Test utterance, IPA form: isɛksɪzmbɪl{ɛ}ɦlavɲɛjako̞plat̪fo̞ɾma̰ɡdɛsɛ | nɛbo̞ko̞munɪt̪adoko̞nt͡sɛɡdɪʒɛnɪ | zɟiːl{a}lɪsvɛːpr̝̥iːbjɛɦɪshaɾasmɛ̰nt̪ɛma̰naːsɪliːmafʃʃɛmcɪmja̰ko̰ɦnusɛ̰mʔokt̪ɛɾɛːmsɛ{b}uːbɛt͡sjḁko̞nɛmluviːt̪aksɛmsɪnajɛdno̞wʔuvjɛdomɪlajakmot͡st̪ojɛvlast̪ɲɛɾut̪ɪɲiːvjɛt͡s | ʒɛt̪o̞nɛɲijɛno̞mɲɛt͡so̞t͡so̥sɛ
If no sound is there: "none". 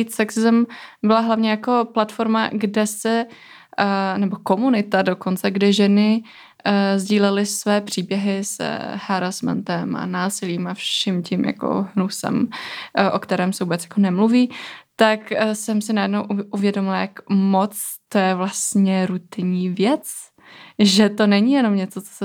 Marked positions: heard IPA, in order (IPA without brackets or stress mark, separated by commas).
a, ɛ, v